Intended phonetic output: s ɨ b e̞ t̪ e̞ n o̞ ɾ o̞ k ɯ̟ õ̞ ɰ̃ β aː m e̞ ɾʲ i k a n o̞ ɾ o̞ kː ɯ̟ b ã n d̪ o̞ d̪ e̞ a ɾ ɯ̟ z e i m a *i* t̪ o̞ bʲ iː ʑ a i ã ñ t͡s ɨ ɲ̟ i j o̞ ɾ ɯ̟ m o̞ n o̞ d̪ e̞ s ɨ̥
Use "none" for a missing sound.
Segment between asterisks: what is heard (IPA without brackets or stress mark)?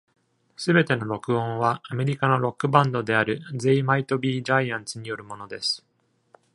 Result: i